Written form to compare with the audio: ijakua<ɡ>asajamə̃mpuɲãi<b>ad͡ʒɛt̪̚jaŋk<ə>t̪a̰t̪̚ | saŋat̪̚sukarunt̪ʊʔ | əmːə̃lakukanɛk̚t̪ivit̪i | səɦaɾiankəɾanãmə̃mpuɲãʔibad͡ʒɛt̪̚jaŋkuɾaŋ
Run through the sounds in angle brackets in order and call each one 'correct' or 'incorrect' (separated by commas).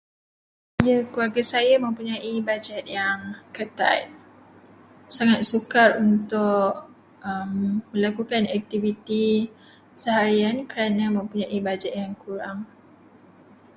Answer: correct, correct, correct